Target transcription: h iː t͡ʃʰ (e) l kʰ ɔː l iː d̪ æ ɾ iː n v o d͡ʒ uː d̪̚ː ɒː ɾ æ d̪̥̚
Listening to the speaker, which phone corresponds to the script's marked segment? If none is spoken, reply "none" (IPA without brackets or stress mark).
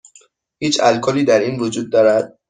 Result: æ